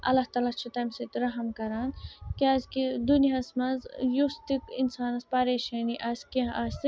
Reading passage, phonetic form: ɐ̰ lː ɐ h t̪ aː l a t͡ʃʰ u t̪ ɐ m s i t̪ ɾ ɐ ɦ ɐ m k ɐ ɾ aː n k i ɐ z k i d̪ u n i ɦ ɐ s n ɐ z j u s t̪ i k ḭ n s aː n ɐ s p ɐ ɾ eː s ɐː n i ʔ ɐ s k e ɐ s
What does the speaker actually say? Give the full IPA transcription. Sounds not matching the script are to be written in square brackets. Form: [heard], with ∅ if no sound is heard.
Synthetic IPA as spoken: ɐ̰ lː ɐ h t̪ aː l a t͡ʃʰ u t̪ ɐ m s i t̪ ɾ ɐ ɦ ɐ m k ɐ ɾ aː n k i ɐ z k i d̪ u n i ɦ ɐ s [m] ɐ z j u s t̪ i k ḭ n s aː n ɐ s p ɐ ɾ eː [ʃ] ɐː n i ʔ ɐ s k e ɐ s